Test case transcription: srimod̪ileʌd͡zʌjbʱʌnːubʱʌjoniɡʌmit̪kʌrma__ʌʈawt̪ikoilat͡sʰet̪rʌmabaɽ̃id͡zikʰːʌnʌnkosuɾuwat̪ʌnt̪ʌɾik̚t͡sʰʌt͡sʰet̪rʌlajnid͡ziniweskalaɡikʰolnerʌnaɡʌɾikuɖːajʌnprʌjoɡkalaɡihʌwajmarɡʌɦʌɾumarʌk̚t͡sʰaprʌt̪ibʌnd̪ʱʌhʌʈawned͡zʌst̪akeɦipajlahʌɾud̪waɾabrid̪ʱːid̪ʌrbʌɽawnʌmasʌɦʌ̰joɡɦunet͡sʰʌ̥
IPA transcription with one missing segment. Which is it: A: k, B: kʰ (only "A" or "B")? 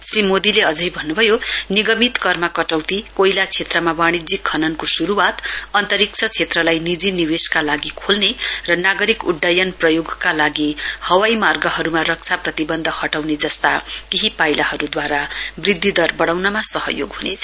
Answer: A